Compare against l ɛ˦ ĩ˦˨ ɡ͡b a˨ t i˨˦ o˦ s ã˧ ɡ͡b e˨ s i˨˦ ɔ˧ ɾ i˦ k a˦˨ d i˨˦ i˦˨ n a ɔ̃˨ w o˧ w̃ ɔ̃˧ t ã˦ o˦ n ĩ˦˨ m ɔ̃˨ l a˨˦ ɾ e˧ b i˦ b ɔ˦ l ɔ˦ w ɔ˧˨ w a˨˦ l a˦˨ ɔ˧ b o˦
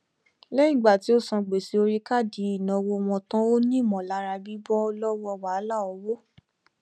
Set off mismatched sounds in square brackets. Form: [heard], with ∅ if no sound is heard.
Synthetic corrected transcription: l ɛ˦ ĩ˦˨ ɡ͡b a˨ t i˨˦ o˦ s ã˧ ɡ͡b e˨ s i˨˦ [o˧] ɾ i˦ k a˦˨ d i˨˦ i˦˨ n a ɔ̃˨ w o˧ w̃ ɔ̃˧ t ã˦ o˦ n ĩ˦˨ m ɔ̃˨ l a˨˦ ɾ [a˧] b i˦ b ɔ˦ l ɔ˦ w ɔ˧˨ w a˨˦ l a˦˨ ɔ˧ [w] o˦